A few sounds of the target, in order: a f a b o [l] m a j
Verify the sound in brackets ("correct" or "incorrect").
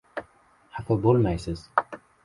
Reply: correct